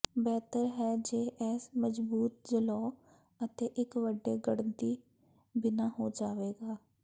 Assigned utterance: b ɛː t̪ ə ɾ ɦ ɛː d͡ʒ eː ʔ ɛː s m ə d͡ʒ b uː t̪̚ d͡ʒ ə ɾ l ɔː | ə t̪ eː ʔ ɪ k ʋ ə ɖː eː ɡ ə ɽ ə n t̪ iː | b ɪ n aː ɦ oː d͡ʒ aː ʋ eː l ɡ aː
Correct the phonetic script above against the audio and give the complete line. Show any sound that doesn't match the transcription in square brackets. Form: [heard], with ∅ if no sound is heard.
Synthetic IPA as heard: b ɛː t̪ ə ɾ ɦ ɛː d͡ʒ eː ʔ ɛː s m ə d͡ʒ b uː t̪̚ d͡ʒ ə [∅] l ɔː | ə t̪ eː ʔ ɪ k ʋ ə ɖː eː ɡ ə ɽ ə n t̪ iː | b ɪ n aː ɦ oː d͡ʒ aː ʋ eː [∅] ɡ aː